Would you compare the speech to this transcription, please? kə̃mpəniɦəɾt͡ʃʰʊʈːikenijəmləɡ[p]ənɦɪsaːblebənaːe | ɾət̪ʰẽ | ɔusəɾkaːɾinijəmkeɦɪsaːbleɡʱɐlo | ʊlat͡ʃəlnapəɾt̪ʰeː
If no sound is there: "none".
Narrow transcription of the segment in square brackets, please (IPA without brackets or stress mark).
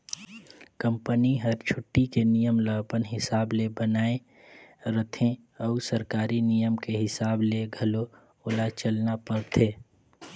p